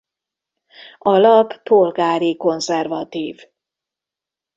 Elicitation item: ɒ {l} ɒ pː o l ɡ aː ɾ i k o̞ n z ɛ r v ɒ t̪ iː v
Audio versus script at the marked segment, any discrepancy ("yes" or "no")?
no